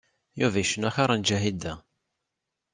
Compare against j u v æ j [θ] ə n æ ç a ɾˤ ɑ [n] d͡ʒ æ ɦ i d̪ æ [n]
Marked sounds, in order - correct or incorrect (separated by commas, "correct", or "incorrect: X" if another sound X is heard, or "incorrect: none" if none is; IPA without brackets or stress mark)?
incorrect: ʃ, correct, incorrect: none